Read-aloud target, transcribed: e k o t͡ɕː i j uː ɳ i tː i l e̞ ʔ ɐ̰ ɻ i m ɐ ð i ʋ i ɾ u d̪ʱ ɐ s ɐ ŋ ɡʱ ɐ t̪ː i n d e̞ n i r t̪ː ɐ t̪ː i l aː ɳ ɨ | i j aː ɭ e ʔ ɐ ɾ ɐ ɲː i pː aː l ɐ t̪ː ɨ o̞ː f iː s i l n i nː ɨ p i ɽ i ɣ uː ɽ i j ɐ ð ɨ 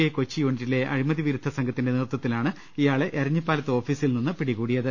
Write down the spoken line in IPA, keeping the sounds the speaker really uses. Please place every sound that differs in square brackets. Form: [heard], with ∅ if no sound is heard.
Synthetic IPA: e k o t͡ɕː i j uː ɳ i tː i l e̞ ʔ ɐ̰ ɻ i m ɐ ð i ʋ i ɾ u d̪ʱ ɐ s ɐ ŋ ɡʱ ɐ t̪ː i n d e̞ n i r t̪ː ɐ t̪ː i l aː ɳ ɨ | i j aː ɭ e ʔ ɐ ɾ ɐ ɲː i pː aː l ɐ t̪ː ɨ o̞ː f iː s i l n i nː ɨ p i ɽ i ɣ uː ɽ i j ɐ ð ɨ